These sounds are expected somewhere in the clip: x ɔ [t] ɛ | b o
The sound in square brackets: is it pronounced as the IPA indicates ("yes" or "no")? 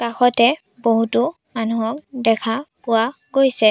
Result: yes